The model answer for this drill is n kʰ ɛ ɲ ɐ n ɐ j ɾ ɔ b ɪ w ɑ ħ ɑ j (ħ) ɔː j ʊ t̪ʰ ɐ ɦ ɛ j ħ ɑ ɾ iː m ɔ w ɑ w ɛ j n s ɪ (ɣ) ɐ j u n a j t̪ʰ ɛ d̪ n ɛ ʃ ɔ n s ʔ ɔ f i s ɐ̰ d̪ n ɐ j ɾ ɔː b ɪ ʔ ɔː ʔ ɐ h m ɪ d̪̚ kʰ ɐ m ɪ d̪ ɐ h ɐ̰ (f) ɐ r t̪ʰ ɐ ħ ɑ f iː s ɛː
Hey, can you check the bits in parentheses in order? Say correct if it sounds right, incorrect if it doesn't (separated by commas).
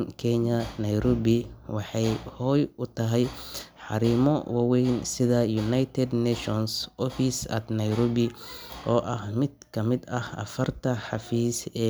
incorrect, incorrect, correct